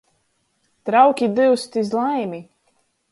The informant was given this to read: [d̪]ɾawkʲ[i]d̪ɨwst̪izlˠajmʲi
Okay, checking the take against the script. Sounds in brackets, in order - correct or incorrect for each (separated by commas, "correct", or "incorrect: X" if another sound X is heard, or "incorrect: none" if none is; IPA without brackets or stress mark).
incorrect: t̪, correct